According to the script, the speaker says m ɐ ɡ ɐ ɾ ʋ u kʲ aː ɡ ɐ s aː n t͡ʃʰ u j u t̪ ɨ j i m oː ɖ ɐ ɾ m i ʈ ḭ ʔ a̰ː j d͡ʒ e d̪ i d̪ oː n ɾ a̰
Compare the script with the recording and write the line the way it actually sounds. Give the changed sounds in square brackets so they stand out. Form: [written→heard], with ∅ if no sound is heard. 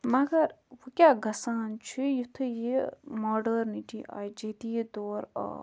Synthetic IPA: m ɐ ɡ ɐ ɾ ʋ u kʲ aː ɡ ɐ s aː n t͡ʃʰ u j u [t̪→t̪ʰ] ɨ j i m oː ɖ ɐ ɾ [m→n] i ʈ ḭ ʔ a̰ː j d͡ʒ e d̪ i d̪ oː [n→∅] ɾ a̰